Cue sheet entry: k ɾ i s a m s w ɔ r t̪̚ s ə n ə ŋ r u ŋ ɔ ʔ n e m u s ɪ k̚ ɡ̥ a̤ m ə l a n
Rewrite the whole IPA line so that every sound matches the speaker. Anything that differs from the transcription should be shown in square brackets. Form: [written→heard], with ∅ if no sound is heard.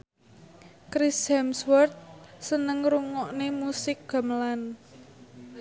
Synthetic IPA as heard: k ɾ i s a m s w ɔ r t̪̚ s ə n ə ŋ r u ŋ ɔ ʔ n e m u s ɪ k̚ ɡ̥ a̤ m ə l a n